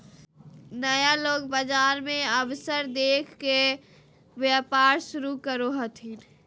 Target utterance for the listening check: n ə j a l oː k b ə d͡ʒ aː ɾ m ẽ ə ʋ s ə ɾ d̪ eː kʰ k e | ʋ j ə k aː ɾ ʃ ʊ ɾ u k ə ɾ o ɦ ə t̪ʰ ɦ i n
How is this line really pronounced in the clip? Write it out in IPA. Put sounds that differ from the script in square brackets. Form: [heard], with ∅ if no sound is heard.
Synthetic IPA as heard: n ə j a l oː [ɡ] b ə d͡ʒ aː ɾ m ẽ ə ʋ s ə ɾ d̪ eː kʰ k e | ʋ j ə [p] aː ɾ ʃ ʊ ɾ u k ə ɾ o ɦ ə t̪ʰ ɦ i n